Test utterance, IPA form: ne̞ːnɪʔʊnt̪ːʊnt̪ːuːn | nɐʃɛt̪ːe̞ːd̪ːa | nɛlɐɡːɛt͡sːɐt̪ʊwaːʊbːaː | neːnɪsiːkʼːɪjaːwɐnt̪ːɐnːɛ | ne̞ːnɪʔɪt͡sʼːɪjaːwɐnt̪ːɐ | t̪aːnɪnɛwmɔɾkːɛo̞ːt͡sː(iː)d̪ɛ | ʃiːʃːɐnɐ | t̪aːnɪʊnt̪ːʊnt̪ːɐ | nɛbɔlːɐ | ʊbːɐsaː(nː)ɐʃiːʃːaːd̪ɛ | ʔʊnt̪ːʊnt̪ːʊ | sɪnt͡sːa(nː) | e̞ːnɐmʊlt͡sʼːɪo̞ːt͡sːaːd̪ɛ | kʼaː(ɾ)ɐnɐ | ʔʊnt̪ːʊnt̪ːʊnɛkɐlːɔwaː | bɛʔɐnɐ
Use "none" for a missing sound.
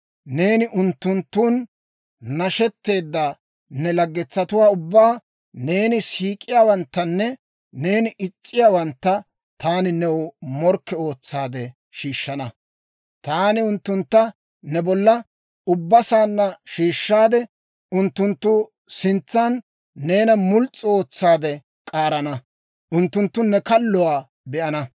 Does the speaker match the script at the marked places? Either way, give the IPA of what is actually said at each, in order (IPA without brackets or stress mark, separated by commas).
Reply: aː, nː, nː, ɾ